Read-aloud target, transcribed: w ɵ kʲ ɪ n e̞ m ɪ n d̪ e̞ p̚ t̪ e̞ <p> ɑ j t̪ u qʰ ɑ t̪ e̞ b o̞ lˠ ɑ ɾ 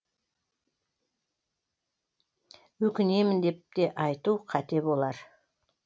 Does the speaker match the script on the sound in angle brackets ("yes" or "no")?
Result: no